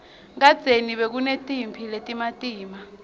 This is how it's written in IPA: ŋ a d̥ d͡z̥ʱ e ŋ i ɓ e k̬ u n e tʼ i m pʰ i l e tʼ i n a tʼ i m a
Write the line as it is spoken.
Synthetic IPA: ŋ a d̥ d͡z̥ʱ e n i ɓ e k̬ u n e tʼ i m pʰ i l e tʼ i m a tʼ iː m a